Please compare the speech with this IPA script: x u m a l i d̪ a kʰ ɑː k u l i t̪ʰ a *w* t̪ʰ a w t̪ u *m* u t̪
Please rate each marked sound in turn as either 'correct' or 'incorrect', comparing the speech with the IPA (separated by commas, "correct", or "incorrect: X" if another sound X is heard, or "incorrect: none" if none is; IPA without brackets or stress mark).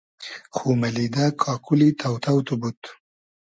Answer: correct, incorrect: b